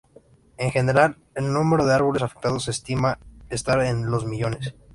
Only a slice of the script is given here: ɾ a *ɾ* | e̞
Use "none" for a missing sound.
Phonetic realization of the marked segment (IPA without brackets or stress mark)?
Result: l